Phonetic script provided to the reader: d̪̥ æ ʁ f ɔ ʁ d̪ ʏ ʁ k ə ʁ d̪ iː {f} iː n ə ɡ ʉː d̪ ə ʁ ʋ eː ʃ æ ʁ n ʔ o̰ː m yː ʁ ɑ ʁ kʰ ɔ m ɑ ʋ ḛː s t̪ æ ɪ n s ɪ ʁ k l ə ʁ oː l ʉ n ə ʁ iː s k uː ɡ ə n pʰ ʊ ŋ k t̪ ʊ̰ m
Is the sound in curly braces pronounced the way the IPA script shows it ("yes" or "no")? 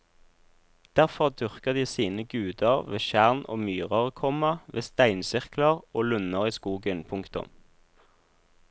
no